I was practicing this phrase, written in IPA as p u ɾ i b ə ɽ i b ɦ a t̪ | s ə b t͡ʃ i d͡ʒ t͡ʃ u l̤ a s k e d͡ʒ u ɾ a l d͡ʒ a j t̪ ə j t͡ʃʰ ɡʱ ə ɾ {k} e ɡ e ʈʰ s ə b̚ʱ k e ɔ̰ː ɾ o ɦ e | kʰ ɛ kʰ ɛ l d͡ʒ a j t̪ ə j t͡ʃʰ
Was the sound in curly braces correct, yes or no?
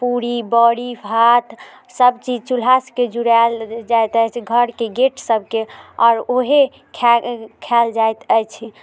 yes